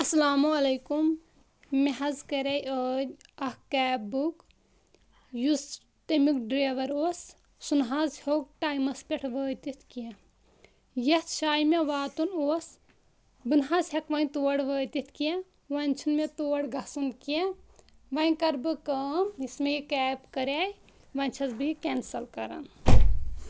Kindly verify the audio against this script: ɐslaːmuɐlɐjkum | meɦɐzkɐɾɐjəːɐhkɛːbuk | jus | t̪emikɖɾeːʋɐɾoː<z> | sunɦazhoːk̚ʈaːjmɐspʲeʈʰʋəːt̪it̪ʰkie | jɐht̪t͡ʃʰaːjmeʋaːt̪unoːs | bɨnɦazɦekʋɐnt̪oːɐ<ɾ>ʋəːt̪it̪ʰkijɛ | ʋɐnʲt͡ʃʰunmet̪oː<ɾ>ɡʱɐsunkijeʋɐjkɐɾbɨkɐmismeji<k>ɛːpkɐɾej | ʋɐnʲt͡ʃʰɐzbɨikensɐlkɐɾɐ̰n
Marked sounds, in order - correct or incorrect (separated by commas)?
incorrect, incorrect, incorrect, correct